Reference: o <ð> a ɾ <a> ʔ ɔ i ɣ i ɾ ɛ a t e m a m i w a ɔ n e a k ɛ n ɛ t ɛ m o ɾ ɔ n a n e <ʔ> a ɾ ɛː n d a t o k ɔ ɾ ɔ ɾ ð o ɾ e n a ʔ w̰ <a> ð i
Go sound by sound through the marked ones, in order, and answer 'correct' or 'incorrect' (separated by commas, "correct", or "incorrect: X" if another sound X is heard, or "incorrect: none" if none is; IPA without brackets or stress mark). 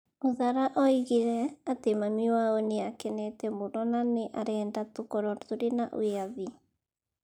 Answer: correct, correct, correct, correct